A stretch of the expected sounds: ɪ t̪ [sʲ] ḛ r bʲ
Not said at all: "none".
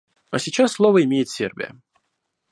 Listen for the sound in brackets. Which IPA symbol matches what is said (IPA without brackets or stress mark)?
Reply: sʲ